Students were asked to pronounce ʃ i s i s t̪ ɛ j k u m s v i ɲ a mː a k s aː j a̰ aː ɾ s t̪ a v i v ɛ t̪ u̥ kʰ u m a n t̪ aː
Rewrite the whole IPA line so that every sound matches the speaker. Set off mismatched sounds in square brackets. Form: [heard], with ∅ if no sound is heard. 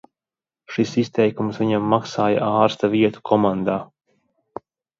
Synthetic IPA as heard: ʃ i s i s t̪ ɛ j k u m s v i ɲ a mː a k s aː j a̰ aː ɾ s t̪ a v i [∅] ɛ t̪ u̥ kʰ [ɔ] m a n [d̪] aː